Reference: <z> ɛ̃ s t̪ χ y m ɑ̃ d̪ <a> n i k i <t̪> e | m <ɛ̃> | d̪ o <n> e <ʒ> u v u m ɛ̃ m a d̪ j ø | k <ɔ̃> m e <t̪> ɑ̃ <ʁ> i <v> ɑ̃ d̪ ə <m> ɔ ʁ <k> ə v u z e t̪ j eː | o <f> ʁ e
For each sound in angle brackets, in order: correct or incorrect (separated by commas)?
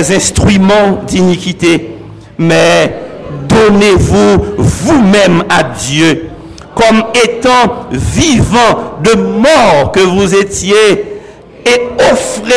correct, incorrect, correct, incorrect, correct, incorrect, incorrect, correct, incorrect, correct, correct, correct, correct